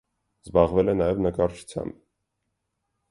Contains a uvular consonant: yes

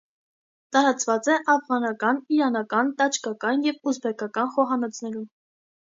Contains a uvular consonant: yes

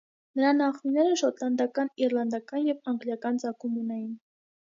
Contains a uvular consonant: yes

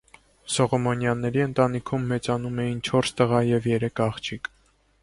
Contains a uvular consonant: yes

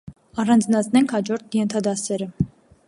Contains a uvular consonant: no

